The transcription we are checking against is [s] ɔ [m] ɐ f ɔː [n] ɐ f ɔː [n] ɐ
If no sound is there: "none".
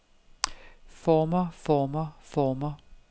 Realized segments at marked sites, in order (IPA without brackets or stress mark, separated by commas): f, m, m, m